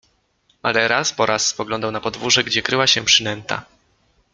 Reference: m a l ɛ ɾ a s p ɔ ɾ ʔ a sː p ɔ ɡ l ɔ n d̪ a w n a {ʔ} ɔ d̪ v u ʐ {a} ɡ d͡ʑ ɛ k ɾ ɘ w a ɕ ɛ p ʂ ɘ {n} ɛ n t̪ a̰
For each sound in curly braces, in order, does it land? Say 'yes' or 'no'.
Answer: no, no, yes

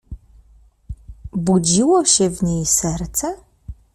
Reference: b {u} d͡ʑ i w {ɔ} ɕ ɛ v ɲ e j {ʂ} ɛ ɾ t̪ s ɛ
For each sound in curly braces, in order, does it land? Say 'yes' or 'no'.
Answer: yes, yes, no

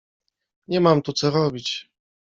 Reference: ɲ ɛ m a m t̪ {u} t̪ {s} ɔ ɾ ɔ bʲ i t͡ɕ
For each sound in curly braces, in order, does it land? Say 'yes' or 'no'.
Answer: yes, yes

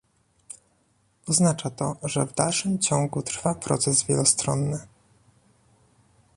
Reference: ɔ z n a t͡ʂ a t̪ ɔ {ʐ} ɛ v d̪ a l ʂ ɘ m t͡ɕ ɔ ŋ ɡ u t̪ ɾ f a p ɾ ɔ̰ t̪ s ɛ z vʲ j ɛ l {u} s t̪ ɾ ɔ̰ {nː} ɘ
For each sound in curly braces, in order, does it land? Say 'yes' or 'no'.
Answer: yes, no, yes

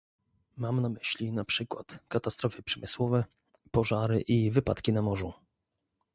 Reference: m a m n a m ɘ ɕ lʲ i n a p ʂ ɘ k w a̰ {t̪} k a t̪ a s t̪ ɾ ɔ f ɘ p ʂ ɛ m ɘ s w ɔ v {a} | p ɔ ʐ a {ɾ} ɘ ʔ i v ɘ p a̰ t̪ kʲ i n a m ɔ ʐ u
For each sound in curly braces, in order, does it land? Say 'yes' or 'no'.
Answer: yes, no, yes

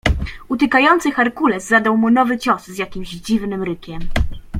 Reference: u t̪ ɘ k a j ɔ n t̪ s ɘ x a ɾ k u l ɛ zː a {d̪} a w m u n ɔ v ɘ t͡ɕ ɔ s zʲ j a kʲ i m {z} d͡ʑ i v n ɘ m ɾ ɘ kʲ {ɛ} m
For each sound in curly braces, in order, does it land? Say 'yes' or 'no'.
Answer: yes, no, yes

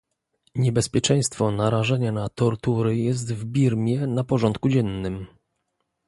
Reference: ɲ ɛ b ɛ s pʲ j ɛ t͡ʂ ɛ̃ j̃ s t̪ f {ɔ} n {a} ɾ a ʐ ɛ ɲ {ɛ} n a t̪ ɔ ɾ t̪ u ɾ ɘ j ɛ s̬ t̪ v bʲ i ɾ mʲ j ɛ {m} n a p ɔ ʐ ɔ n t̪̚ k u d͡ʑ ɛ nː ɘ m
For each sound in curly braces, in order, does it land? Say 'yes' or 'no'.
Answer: yes, yes, no, no

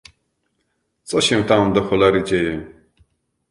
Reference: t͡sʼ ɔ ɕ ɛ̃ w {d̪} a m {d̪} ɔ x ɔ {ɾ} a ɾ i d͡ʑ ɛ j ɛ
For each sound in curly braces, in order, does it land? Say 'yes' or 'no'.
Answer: no, yes, no

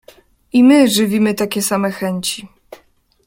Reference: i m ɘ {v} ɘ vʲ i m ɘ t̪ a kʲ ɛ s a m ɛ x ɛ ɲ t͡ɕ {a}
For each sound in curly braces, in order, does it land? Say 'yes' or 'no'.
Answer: no, no

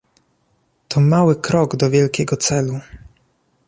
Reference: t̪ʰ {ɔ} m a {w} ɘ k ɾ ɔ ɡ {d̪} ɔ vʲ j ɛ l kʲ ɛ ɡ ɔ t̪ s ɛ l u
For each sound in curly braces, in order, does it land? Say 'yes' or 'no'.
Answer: yes, yes, yes

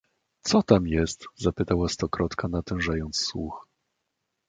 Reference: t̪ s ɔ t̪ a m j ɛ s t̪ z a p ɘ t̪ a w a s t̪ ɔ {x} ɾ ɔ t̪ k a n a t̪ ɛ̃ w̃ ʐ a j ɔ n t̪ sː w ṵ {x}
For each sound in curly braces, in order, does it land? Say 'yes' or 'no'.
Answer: no, yes

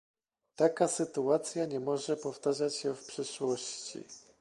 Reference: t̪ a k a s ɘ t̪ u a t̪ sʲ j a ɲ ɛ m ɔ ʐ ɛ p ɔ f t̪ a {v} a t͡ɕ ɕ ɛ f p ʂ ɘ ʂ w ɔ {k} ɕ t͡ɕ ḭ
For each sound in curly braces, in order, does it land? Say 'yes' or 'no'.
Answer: no, no

